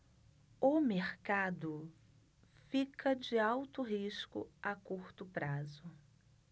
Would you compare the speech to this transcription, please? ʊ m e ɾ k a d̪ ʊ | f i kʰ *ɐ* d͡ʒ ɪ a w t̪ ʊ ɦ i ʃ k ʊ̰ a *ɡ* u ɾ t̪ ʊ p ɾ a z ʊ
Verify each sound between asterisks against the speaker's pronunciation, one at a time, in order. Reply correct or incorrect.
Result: correct, incorrect: k

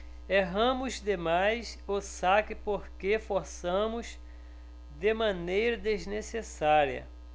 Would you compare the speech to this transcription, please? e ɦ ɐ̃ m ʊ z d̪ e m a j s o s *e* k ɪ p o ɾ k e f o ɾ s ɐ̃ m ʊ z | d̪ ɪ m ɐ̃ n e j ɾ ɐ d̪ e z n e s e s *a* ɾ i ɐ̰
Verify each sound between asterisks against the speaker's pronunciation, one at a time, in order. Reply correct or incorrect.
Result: incorrect: a, correct

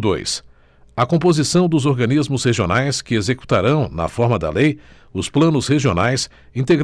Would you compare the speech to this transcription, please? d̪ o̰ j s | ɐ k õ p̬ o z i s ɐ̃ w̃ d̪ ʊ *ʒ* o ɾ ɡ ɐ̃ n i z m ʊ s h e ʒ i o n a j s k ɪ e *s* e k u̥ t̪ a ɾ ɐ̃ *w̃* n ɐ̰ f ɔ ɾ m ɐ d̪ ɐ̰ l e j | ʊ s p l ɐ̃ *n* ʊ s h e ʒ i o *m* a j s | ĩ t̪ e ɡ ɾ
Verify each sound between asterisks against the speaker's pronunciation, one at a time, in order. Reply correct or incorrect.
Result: incorrect: z, incorrect: z, correct, correct, incorrect: n

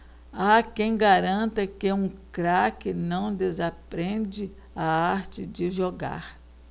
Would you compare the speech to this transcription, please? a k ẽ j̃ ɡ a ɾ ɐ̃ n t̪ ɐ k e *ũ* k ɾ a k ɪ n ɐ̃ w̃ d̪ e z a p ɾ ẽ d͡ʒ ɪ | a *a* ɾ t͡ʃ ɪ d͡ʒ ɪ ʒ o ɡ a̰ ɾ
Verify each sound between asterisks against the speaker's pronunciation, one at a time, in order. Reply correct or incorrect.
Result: correct, correct

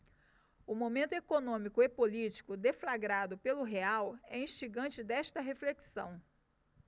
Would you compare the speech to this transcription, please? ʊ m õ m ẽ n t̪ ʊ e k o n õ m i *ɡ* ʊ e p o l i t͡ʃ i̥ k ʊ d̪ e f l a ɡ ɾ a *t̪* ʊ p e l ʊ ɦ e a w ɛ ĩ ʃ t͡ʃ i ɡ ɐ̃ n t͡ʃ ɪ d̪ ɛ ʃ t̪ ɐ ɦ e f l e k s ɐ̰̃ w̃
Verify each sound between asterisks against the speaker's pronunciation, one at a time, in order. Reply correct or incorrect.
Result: incorrect: k, incorrect: d̪

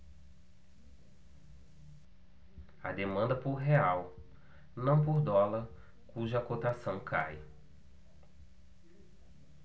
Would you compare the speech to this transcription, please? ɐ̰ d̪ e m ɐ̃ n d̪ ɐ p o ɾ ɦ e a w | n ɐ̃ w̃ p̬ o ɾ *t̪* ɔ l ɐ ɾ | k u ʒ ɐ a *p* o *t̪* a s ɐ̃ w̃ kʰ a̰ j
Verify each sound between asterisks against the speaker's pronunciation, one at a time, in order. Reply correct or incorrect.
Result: incorrect: d̪, incorrect: k, correct

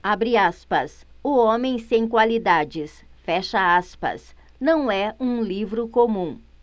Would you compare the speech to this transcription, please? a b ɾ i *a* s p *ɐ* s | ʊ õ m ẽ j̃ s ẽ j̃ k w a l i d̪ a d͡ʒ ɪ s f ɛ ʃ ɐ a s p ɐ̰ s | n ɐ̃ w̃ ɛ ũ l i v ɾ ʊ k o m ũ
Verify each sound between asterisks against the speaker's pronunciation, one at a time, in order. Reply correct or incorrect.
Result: correct, correct

